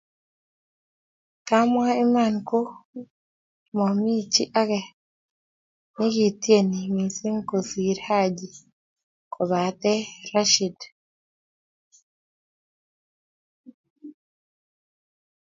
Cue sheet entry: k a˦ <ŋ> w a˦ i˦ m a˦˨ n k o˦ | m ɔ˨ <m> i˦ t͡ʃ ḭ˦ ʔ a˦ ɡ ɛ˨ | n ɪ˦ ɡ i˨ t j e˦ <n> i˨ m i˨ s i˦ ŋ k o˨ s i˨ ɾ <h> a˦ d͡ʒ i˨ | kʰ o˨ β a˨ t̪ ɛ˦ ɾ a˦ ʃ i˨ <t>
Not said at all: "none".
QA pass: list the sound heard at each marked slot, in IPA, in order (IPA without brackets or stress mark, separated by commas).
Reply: m, m, n, h, d